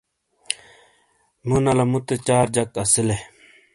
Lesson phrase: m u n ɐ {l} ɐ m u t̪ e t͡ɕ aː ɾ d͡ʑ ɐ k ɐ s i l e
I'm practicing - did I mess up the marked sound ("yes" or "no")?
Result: no